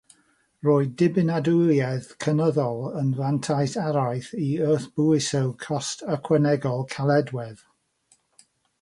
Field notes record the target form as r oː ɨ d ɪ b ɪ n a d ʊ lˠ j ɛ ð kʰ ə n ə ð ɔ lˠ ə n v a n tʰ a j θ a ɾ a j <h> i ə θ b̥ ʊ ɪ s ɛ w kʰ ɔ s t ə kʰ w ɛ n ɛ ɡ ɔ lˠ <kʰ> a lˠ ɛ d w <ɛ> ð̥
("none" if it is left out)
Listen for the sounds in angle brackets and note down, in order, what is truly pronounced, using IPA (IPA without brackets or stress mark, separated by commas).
θ, kʰ, ɛ